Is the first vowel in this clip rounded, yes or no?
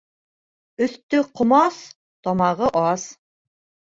yes